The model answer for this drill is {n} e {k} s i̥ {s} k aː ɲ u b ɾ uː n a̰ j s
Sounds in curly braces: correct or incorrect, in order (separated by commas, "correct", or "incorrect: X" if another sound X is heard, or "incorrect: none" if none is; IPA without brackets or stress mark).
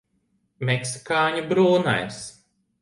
incorrect: m, correct, incorrect: none